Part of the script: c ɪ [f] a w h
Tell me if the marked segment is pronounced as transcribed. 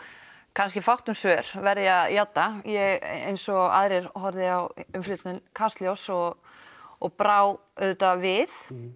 yes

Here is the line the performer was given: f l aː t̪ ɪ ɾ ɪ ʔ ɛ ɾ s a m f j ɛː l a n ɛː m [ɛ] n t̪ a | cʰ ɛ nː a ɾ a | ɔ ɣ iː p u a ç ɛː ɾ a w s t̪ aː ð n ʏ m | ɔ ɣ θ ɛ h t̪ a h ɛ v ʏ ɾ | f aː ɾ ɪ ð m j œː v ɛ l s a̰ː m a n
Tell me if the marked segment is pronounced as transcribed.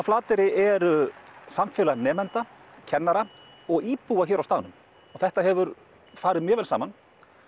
yes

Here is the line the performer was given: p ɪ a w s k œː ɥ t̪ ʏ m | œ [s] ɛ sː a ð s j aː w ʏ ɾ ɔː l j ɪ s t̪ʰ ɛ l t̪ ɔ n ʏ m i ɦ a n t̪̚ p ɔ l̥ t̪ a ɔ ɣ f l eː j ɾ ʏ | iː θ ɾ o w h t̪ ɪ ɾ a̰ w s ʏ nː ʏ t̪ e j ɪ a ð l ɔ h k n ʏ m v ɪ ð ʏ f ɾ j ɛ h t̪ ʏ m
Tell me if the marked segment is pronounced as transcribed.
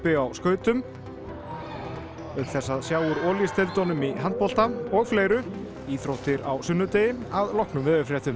no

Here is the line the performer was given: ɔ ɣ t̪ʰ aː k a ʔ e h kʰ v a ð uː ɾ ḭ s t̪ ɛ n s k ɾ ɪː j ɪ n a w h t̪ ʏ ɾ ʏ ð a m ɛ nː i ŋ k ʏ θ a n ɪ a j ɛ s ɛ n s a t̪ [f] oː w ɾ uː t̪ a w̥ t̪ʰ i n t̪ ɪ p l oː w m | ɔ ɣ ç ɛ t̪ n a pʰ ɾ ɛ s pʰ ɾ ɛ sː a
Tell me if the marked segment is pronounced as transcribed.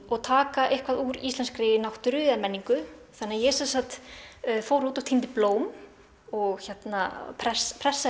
yes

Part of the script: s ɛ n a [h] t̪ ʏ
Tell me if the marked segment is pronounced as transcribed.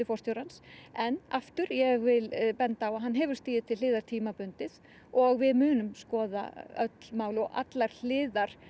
no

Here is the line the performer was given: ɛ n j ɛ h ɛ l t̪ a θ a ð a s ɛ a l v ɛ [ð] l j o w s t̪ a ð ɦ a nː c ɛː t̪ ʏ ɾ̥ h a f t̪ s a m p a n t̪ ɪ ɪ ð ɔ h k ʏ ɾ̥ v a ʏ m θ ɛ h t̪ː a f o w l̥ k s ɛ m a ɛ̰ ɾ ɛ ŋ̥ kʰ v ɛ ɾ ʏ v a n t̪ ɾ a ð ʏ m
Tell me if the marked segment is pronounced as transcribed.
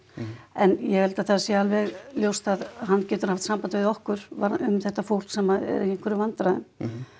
no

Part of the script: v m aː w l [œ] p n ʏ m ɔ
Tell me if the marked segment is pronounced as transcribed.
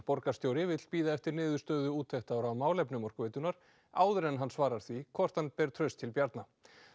no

